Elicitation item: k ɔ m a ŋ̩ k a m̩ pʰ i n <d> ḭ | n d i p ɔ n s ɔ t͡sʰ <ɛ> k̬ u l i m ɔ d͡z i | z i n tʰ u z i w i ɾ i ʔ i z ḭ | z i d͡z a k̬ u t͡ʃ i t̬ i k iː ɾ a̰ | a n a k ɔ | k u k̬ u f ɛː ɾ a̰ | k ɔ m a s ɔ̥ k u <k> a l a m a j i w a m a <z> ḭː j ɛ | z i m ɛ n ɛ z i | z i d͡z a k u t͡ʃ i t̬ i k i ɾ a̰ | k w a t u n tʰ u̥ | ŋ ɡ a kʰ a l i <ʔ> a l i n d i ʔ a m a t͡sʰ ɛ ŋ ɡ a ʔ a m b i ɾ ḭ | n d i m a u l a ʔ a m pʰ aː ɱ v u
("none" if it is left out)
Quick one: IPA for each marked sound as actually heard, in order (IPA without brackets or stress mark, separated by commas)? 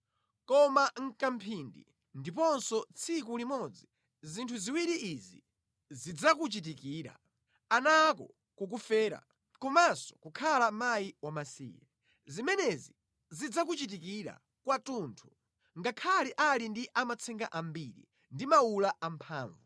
d, i, kʰ, s, ʔ